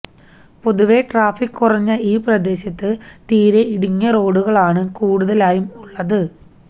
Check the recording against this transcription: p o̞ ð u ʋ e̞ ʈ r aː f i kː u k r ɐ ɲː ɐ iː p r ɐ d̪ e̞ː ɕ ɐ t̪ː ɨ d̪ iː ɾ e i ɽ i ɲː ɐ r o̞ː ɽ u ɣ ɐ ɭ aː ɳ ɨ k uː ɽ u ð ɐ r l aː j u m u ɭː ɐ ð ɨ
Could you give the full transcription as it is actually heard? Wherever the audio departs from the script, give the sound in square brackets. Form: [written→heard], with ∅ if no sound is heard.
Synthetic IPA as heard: p o̞ ð u ʋ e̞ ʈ r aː f i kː u [k→∅] r ɐ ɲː ɐ iː p r ɐ d̪ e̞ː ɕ ɐ t̪ː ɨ [d̪→t̪] iː ɾ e i ɽ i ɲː ɐ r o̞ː ɽ u ɣ ɐ ɭ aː ɳ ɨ k uː ɽ u ð ɐ [r→∅] l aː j u m u ɭː ɐ ð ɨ